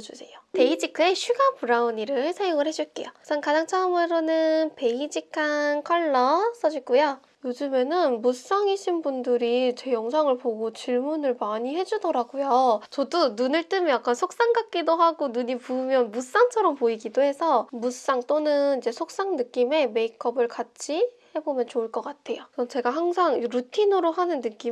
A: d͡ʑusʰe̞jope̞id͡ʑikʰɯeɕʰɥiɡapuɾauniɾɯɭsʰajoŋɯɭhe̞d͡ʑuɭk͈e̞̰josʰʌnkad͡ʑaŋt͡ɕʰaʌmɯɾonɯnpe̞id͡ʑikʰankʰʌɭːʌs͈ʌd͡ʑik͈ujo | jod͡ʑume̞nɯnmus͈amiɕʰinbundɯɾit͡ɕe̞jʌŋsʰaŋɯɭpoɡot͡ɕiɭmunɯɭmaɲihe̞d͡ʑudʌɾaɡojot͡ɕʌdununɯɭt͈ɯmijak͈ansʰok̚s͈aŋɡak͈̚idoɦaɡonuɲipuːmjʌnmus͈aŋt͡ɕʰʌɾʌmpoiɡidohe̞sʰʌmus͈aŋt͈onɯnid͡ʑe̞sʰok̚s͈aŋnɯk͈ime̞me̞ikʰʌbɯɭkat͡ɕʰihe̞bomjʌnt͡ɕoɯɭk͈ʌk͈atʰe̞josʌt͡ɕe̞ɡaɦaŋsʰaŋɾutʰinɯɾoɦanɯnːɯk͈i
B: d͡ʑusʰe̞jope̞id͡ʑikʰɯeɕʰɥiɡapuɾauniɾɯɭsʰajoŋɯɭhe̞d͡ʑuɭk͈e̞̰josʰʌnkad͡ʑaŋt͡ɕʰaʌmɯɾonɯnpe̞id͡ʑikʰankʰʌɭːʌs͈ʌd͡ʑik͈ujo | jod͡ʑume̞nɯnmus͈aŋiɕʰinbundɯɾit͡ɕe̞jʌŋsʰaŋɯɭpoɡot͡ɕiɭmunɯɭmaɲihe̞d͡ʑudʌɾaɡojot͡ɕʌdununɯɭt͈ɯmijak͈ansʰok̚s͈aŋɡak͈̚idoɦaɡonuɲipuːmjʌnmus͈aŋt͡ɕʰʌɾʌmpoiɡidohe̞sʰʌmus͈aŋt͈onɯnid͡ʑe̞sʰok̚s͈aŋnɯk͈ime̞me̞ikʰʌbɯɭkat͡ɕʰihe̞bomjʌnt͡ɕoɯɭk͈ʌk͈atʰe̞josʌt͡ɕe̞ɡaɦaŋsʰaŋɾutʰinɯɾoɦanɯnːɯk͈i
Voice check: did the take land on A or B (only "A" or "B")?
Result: B